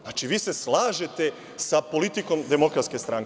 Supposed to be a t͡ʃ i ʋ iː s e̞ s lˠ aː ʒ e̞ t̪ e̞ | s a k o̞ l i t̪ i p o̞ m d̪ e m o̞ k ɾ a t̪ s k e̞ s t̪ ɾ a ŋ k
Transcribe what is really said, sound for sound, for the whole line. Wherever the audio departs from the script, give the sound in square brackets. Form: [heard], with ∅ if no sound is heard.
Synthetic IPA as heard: a t͡ʃ i ʋ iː s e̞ s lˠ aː ʒ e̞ t̪ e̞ | s a [p] o̞ l i t̪ i [k] o̞ m d̪ e m o̞ k ɾ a t̪ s k e̞ s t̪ ɾ a ŋ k